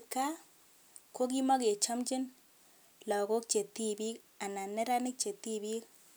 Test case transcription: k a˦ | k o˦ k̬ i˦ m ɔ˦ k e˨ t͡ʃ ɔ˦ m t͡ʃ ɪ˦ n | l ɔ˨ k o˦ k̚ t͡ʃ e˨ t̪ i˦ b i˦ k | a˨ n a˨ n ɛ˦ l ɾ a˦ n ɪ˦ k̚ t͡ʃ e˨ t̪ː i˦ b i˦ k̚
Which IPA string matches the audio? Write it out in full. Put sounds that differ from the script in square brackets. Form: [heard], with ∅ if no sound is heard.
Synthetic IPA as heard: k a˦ | k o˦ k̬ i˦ m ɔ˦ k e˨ t͡ʃ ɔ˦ m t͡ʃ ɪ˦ n | l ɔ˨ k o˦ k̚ t͡ʃ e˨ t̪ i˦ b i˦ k | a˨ n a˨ n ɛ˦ [∅] ɾ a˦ n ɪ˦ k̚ t͡ʃ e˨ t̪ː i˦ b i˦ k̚